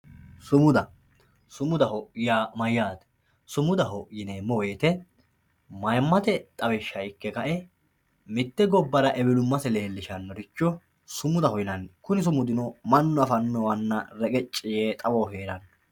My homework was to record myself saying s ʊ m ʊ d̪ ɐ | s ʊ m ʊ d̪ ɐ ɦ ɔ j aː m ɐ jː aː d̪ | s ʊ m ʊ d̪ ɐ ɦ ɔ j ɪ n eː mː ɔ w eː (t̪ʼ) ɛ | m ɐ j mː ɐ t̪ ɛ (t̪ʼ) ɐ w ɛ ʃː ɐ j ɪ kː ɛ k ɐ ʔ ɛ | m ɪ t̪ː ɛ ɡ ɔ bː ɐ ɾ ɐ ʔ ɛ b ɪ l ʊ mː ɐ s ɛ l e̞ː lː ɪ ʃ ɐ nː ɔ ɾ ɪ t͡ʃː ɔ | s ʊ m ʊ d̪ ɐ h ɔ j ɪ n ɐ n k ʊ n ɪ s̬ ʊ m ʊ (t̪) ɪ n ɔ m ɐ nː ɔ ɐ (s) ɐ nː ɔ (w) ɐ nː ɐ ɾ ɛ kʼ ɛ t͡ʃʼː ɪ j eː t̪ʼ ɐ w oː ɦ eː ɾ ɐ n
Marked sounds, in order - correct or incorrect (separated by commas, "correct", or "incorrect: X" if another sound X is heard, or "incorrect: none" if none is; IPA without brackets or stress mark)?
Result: incorrect: t̪, correct, incorrect: d̪, incorrect: f, correct